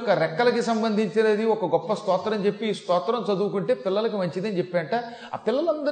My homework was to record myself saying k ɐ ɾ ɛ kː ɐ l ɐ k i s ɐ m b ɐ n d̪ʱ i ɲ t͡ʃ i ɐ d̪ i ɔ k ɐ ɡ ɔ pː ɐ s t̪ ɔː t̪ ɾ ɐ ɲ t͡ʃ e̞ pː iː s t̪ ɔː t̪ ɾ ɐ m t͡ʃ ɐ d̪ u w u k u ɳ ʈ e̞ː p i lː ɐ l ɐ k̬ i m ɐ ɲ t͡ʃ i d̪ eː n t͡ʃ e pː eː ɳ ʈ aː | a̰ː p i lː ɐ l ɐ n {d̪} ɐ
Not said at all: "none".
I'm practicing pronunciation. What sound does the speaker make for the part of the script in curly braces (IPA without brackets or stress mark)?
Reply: d̪